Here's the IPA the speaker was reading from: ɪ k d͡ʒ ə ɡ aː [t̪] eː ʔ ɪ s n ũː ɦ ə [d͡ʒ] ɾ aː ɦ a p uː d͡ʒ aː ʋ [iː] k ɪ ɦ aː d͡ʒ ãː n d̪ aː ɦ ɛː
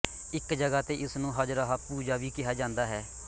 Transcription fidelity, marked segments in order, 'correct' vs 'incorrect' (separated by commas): correct, correct, correct